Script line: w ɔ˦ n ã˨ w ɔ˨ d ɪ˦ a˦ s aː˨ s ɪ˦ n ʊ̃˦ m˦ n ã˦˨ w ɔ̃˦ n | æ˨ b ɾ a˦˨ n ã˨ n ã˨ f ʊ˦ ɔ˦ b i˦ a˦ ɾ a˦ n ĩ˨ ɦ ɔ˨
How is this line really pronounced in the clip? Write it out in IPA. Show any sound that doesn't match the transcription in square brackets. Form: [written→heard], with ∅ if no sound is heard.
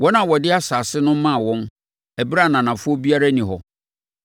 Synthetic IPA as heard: w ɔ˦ n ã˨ w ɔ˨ d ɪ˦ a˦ s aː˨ s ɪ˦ n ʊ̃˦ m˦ [n→m] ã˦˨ w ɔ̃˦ n | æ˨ b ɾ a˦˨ n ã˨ n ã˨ f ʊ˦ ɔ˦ b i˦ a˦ ɾ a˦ n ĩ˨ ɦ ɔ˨